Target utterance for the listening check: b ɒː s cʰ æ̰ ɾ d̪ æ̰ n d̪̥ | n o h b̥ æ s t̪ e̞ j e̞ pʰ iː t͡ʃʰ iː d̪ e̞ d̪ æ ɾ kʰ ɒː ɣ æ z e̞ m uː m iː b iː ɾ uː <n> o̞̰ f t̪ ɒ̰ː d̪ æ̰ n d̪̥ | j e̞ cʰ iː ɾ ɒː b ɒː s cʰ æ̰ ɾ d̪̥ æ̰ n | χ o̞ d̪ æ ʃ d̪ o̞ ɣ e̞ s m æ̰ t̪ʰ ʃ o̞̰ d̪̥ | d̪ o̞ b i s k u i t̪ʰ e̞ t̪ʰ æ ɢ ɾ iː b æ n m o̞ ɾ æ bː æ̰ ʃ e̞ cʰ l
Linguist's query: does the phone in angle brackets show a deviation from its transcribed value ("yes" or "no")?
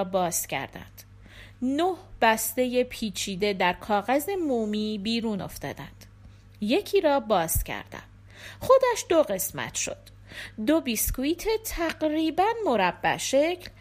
no